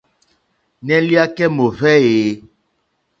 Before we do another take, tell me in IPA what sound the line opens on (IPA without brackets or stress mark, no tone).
n